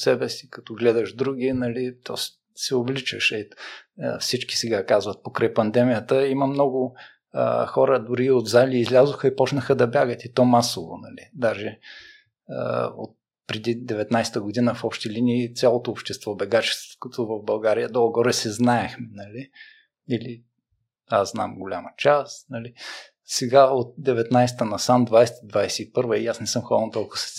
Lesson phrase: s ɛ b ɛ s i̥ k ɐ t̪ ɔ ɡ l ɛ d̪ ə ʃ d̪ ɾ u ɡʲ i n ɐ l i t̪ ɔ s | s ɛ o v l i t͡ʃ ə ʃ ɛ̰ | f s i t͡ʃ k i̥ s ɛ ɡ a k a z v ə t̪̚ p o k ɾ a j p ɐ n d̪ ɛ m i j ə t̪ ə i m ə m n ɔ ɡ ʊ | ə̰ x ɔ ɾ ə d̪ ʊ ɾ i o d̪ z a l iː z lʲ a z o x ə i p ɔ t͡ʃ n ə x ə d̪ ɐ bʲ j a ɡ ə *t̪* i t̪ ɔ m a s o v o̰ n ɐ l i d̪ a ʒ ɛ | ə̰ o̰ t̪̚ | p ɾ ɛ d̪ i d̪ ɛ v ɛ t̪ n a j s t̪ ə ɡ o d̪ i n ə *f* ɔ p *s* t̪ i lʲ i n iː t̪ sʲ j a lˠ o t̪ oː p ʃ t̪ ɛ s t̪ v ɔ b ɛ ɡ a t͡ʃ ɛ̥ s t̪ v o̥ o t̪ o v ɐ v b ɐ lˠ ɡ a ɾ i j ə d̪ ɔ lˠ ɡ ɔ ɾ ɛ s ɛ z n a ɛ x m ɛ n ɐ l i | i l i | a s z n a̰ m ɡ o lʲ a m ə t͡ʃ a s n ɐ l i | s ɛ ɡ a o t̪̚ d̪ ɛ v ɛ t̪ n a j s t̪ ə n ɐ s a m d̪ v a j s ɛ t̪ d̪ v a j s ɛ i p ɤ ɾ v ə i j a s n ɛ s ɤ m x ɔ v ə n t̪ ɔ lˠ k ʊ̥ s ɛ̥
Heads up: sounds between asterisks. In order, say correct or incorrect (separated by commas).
correct, correct, incorrect